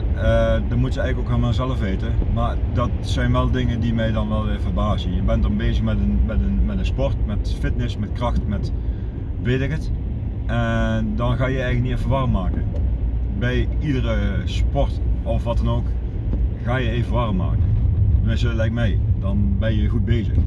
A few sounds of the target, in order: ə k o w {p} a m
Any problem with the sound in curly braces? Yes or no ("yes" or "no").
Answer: yes